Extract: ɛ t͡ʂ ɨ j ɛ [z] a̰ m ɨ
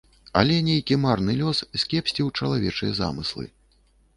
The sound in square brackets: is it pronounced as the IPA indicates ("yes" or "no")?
yes